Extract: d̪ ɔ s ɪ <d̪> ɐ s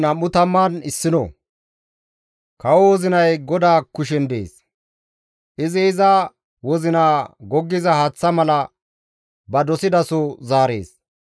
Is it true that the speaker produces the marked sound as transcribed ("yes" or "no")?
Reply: yes